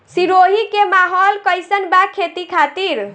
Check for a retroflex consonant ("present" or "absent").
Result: absent